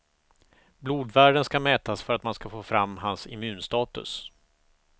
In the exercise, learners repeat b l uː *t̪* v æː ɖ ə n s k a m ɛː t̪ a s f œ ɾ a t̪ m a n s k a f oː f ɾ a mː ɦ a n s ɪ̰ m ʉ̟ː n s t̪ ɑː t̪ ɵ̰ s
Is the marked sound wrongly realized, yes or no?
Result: yes